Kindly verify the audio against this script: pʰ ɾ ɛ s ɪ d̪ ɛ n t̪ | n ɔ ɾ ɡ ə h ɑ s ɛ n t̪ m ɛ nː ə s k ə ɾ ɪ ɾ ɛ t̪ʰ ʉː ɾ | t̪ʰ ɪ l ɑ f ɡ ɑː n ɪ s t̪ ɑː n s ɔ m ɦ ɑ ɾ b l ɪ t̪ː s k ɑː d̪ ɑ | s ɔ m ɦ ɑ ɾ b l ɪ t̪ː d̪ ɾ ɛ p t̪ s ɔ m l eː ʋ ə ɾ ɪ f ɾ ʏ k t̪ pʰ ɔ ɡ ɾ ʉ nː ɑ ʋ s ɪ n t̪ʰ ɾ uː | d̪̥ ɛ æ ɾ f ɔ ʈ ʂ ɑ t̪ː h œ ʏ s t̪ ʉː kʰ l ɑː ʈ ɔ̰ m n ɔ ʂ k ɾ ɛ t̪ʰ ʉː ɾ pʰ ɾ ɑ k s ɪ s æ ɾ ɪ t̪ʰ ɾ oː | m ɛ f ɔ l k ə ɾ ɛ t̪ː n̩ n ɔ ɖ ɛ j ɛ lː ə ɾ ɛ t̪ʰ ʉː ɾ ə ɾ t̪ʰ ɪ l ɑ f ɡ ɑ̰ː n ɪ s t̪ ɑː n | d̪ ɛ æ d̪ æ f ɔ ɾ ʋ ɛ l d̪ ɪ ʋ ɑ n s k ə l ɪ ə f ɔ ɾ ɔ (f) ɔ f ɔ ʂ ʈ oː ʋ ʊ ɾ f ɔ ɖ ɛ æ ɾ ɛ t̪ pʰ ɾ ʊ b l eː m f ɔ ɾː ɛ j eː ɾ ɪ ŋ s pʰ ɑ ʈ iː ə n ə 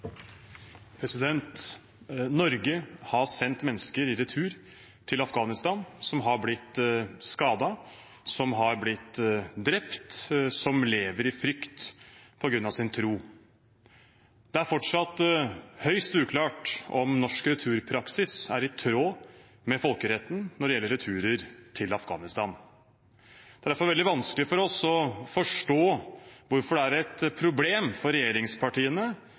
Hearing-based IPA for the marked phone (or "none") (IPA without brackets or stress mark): s